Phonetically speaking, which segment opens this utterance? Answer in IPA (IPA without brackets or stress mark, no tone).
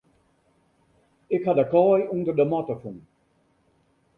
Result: ɪ